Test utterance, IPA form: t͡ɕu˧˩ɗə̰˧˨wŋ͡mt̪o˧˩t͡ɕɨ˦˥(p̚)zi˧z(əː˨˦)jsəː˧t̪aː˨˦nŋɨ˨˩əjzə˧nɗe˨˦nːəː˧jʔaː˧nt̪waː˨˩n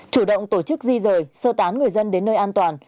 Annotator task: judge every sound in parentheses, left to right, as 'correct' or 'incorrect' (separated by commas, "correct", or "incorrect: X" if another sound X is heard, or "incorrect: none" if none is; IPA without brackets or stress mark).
incorrect: k̚, incorrect: əː˨˩